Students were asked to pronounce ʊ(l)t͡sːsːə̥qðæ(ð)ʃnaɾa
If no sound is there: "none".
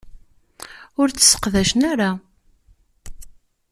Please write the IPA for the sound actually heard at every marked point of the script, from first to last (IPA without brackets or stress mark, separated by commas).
ɾ, none